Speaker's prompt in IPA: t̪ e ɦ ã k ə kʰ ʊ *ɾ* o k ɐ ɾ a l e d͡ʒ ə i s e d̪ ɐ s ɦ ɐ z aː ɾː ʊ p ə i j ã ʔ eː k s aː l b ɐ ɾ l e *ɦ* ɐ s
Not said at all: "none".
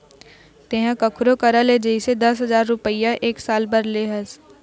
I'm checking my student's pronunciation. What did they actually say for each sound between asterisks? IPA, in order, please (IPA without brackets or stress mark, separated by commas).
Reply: ɾ, ɦ